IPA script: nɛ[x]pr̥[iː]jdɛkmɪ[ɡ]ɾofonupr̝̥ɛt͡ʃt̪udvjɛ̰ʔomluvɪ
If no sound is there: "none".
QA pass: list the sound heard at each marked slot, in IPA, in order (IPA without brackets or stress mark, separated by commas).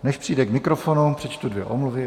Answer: ʃ, i, k